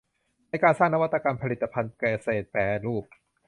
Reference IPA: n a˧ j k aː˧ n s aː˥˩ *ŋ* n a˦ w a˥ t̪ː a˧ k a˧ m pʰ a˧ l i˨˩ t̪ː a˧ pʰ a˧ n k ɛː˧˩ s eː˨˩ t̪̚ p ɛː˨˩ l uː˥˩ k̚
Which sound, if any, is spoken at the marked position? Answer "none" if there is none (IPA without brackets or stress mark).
ŋ